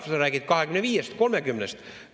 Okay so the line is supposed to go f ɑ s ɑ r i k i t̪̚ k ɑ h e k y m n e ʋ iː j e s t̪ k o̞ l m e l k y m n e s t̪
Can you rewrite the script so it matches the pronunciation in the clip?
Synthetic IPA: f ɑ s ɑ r æ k i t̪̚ k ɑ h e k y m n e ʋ iː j e s t̪ k o̞ l m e k y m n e s t̪